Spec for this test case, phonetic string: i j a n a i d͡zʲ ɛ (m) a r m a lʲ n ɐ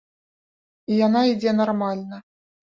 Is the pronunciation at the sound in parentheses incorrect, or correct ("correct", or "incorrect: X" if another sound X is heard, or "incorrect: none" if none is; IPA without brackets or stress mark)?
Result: incorrect: n